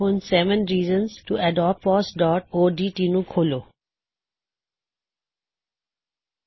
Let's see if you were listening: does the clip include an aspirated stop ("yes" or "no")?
yes